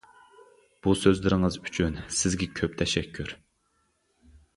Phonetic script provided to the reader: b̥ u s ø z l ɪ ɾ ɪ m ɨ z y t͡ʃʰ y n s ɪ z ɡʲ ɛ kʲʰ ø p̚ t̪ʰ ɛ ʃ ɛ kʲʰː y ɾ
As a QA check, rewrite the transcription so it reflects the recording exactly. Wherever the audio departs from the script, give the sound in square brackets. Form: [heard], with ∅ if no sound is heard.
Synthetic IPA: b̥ u s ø z l ɪ ɾ ɪ [ŋ] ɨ z y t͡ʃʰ y n s ɪ z ɡʲ ɛ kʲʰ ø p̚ t̪ʰ ɛ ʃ ɛ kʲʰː y ɾ

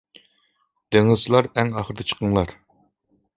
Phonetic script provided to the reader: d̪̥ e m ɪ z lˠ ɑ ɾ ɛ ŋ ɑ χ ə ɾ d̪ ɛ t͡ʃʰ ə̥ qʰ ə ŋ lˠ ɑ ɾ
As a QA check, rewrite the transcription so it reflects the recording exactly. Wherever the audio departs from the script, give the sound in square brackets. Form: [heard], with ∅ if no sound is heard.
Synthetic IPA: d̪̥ e [ŋ] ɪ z lˠ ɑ ɾ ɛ ŋ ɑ χ ə ɾ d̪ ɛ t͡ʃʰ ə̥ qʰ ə ŋ lˠ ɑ ɾ

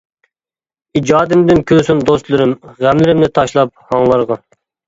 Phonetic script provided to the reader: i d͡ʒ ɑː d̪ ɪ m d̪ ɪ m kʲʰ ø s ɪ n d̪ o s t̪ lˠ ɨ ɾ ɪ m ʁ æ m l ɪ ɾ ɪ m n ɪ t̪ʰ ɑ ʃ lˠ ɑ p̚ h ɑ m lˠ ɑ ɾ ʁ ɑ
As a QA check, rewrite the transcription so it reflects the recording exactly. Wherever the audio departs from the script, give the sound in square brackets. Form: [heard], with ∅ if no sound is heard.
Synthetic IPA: i d͡ʒ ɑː d̪ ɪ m d̪ ɪ [n] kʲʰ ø s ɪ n d̪ o s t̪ lˠ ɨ ɾ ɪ m ʁ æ m l ɪ ɾ ɪ m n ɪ t̪ʰ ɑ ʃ lˠ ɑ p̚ h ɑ [ŋ] lˠ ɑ ɾ ʁ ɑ

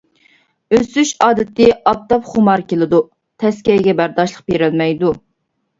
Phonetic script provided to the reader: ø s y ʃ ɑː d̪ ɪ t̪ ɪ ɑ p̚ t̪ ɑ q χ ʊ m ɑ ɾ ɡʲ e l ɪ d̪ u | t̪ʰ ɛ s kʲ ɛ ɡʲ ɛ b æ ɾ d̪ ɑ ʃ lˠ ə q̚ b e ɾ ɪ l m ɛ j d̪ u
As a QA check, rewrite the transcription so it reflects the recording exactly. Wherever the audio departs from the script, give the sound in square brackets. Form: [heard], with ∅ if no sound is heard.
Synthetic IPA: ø s y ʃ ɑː d̪ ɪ t̪ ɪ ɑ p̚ t̪ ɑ [p] χ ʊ m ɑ ɾ [kʲ] e l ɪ d̪ u | t̪ʰ ɛ s kʲ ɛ ɡʲ ɛ b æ ɾ d̪ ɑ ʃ lˠ ə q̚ b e ɾ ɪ l m ɛ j d̪ u

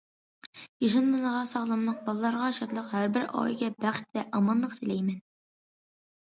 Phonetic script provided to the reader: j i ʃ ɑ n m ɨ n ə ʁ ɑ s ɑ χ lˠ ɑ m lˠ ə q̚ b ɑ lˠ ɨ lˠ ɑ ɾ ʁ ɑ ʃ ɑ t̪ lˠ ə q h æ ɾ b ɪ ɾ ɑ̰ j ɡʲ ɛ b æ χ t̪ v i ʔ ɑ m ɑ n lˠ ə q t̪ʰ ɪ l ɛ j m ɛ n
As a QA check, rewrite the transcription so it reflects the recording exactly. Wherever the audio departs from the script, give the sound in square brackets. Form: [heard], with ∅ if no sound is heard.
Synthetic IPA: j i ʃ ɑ n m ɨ n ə ʁ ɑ s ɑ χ lˠ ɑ m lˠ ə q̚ b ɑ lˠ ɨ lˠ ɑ ɾ ʁ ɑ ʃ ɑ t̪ lˠ ə q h æ ɾ b ɪ ɾ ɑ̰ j ɡʲ ɛ b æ χ t̪ v [ɛ] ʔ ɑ m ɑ n lˠ ə q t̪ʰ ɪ l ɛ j m ɛ n

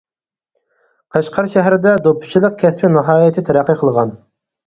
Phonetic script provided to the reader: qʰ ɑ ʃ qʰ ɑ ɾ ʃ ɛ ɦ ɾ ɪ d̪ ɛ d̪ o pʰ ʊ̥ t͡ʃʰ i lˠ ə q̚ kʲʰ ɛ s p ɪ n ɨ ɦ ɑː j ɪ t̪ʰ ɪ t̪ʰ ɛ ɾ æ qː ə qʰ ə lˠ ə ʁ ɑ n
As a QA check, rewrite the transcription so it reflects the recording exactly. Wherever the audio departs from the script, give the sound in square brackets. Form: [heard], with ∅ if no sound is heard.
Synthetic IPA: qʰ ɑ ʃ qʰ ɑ ɾ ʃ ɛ ɦ ɾ ɪ d̪ ɛ d̪ o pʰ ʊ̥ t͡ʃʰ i lˠ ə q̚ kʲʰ ɛ s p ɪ n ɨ ɦ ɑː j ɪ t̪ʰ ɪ t̪ʰ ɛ ɾ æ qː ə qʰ ə lˠ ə ʁ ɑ n

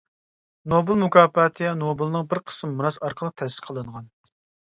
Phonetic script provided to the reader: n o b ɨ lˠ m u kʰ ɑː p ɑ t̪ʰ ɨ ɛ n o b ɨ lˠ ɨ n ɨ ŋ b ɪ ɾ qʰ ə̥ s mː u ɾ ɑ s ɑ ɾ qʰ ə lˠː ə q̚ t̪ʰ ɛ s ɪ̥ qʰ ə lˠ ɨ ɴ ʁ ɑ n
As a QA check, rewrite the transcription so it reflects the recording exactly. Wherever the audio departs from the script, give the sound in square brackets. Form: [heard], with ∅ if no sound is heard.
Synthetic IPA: n o b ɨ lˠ m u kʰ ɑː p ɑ t̪ʰ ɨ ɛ n o b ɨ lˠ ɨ n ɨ ŋ b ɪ ɾ qʰ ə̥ s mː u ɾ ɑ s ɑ ɾ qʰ ə [lˠ] ə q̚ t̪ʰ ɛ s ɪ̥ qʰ ə lˠ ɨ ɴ ʁ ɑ n

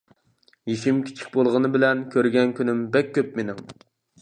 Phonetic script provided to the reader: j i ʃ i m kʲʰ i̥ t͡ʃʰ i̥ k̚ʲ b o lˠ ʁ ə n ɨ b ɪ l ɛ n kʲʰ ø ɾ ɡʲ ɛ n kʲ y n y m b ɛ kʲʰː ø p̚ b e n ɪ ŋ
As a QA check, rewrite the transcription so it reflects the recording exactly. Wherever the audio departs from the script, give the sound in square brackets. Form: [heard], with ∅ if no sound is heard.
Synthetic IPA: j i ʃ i m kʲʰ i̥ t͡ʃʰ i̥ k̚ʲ b o lˠ ʁ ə n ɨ b ɪ l ɛ n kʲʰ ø ɾ ɡʲ ɛ n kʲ y n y m b ɛ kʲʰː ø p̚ [m] e n ɪ ŋ

